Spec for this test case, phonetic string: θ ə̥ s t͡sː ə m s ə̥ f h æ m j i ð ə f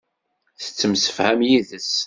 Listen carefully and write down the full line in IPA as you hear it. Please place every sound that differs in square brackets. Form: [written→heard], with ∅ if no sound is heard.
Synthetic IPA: θ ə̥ [s→∅] t͡sː ə m s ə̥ f h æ m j i ð ə [f→s]